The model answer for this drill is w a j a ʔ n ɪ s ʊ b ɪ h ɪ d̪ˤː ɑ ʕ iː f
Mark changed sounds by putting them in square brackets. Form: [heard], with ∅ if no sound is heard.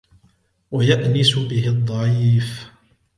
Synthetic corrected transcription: w a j a ʔ n ɪ s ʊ b ɪ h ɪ d̪ˤː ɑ ʕ iː f